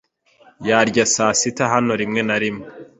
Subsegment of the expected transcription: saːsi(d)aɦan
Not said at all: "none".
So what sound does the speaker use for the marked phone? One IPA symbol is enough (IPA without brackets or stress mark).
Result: t